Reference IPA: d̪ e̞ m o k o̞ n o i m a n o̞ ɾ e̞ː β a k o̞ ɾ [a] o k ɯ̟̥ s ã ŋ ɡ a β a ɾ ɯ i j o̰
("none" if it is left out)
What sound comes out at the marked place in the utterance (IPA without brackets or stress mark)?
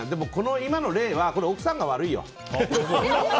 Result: e